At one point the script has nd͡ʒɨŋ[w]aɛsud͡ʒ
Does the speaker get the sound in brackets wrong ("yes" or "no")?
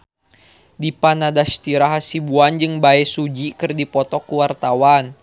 yes